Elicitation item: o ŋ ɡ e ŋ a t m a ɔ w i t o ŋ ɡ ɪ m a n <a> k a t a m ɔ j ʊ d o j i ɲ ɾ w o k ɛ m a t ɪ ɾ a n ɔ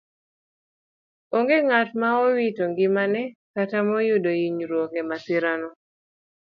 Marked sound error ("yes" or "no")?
yes